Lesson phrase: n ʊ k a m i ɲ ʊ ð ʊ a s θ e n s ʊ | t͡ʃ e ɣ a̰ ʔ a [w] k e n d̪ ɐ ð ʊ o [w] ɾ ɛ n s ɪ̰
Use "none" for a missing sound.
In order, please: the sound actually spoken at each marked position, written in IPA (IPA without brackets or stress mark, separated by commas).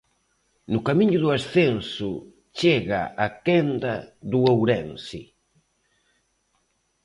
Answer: none, w